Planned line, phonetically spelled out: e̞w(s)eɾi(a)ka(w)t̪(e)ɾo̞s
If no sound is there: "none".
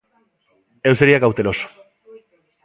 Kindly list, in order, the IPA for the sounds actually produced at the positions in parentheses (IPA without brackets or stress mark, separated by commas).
s, a, w, e